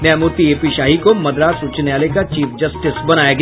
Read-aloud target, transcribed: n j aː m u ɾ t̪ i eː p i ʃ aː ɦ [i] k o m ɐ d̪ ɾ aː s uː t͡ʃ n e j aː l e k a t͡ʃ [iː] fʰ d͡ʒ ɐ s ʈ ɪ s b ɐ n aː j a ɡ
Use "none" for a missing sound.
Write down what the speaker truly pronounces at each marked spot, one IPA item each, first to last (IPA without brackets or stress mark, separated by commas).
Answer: i, iː